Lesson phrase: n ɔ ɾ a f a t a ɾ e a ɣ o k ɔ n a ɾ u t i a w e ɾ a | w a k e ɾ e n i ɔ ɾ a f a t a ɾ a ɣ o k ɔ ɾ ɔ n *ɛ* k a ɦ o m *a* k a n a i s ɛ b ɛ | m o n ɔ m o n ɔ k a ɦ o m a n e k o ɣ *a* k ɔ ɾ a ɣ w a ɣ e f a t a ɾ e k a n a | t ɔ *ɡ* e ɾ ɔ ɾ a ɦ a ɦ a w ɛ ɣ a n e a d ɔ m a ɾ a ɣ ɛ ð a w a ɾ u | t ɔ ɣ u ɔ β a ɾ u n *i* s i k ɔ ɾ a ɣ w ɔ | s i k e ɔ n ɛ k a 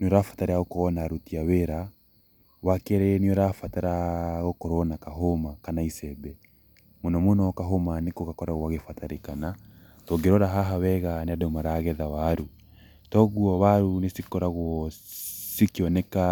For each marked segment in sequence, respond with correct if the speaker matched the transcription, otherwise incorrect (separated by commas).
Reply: incorrect, correct, correct, correct, incorrect